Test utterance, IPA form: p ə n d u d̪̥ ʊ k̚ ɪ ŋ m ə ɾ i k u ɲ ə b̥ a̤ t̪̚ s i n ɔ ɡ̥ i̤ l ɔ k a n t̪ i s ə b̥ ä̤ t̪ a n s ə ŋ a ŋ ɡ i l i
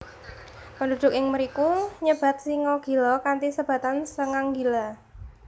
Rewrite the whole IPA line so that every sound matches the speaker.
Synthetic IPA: p ə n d u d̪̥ ʊ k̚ ɪ ŋ m ə ɾ i k u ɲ ə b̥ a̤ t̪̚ s i ŋ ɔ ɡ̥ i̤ l ɔ k a n t̪ i s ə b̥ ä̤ t̪ a n s ə ŋ a ŋ ɡ i l a

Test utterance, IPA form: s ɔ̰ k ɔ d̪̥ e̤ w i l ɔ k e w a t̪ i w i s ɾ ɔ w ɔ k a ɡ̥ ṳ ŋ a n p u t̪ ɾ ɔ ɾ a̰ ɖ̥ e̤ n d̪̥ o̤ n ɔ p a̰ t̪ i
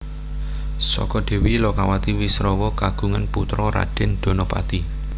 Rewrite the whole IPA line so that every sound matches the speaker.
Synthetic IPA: s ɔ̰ k ɔ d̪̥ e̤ w i l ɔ k a w a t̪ i w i s ɾ ɔ w ɔ k a ɡ̥ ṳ ŋ a n p u t̪ ɾ ɔ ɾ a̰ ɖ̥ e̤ n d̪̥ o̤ n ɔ p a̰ t̪ i

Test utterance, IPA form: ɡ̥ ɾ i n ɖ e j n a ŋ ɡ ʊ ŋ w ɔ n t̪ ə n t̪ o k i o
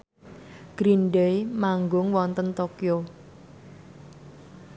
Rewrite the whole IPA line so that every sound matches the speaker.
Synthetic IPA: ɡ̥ ɾ i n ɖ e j m a ŋ ɡ ʊ ŋ w ɔ n t̪ ə n t̪ o k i o

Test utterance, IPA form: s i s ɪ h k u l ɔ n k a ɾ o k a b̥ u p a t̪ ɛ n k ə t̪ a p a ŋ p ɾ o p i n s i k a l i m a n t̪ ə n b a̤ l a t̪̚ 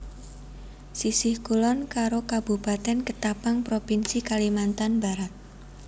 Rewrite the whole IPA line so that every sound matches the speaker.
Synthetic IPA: s i s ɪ h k u l ɔ n k a ɾ o k a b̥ u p a t̪ ɛ n k ə t̪ a p a ŋ p ɾ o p i n s i k a l i m a n t̪ a n b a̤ ɾ a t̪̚

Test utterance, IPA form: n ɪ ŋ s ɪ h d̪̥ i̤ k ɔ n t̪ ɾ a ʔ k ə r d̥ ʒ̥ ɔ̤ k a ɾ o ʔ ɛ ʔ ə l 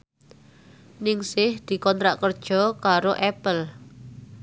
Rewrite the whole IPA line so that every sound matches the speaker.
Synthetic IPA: n ɪ ŋ s ɪ h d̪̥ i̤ k ɔ n t̪ ɾ a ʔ k ə r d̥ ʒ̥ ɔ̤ k a ɾ o ʔ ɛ p ə l

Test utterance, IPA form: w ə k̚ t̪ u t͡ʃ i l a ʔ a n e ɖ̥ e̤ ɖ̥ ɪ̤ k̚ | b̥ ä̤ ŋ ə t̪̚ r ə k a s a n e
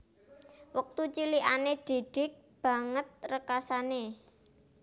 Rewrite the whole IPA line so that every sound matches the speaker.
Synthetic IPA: w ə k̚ t̪ u t͡ʃ i l i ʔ a n e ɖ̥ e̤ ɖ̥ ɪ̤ k̚ | b̥ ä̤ ŋ ə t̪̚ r ə k a s a n e

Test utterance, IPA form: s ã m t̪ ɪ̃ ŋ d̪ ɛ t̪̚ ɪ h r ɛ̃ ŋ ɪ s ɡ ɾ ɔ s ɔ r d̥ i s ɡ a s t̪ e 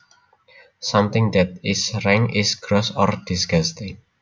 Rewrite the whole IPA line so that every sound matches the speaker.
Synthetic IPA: s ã m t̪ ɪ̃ ŋ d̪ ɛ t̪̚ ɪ s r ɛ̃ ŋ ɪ s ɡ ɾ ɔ s ɔ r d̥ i s ɡ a s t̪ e

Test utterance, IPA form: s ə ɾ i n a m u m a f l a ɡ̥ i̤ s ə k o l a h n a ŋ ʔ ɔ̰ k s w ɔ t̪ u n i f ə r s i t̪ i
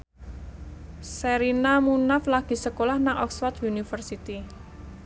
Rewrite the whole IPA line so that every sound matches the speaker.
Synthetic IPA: s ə ɾ i n a m u n a f l a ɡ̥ i̤ s ə k o l a h n a ŋ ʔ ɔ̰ k s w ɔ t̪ u n i f ə r s i t̪ i

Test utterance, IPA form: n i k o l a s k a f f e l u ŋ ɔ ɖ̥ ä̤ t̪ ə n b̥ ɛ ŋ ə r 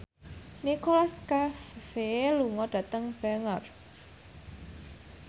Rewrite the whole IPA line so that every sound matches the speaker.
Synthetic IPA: n i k o l a s k a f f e l u ŋ ɔ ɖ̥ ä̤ t̪ ə ŋ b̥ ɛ ŋ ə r

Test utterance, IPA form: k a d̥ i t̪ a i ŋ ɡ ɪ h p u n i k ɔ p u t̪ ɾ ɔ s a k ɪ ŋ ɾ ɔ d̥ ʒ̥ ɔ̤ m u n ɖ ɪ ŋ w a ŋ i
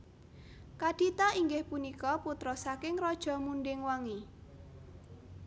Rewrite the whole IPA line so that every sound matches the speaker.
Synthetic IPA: k a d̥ i t̪ a i ŋ ɡ ɪ h p u n i k ɔ p u t̪ ɾ ɔ s a k ɪ ŋ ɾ ɔ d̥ ʒ̥ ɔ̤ m u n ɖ ɪ ŋ w a ŋ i

